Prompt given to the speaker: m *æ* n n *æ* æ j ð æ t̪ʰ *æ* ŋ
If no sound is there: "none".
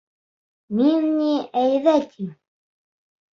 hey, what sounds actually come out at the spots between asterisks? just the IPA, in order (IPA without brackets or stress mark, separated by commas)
i, i, i